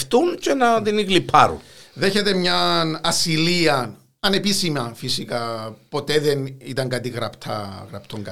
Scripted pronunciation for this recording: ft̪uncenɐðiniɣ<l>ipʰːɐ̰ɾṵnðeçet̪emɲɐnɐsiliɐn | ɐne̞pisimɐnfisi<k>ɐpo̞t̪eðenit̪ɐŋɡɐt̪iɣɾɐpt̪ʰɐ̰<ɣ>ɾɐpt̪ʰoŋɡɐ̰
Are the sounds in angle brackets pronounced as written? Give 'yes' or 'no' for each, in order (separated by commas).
yes, yes, yes